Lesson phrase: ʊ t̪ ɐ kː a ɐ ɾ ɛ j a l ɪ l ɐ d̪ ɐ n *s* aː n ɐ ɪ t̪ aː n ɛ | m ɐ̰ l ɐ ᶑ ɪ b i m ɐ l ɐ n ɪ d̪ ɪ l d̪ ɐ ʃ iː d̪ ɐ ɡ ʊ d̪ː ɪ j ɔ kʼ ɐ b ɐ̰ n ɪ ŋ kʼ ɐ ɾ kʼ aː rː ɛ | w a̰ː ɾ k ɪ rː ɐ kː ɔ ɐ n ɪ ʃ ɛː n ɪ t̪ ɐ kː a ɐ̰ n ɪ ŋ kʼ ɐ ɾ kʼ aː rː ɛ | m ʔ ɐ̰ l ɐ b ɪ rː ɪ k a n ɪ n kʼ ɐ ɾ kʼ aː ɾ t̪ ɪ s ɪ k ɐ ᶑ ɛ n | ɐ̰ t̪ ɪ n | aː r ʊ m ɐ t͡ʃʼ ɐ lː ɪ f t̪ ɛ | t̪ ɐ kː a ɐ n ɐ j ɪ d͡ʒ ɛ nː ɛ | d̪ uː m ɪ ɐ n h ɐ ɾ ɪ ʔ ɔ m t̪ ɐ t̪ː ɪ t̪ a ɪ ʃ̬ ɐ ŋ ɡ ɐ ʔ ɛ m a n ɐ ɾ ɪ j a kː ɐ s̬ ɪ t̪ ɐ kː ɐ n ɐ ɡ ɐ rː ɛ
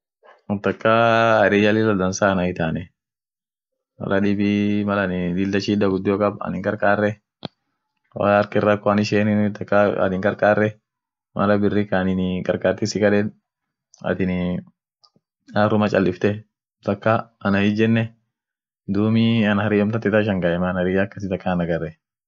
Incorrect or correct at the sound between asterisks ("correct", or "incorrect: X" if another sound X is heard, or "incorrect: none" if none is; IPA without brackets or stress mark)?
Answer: correct